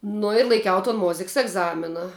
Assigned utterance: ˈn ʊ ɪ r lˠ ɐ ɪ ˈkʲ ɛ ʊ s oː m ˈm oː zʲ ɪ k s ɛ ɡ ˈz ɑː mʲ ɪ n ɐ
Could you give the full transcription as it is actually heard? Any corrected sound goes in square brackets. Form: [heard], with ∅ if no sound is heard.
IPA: ˈn ʊ ɪ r lˠ ɐ ɪ ˈkʲ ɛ ʊ [t] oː [n] ˈm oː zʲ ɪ k s ɛ ɡ ˈz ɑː mʲ ɪ n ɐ